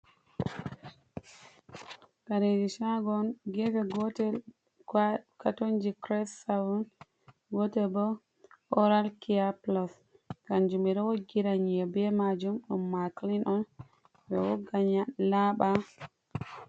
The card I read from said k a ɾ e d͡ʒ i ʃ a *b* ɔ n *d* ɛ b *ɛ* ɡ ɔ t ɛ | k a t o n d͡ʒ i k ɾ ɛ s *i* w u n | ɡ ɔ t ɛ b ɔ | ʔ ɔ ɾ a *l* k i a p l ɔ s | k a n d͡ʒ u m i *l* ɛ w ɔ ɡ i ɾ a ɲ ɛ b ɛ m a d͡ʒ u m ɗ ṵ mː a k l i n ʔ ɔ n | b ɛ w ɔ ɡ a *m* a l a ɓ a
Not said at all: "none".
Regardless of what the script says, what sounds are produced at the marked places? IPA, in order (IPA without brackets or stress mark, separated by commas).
ɡ, ɡ, ɛ, a, l, ɾ, ɲ